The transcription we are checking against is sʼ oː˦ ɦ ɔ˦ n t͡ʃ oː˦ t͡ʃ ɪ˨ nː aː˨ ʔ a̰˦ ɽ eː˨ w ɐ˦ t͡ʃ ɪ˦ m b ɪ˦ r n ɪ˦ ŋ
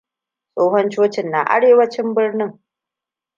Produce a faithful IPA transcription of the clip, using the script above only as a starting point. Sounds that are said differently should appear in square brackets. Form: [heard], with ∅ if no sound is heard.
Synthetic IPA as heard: sʼ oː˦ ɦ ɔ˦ n t͡ʃ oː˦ t͡ʃ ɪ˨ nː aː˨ ʔ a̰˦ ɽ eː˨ w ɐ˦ t͡ʃ ɪ˦ m b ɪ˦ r n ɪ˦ ŋ